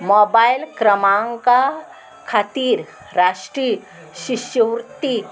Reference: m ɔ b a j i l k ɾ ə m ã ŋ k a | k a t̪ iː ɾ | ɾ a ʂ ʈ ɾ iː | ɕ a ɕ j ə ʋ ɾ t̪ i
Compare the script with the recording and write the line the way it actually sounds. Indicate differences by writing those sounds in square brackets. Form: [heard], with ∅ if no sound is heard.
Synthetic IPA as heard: m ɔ b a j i l k ɾ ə m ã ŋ k a | [kʰ] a t̪ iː ɾ | ɾ a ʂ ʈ ɾ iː | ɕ [i] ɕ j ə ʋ ɾ t̪ i